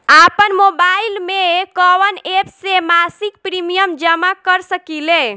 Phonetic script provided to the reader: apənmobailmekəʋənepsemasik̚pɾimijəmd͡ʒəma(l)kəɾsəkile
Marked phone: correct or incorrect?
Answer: incorrect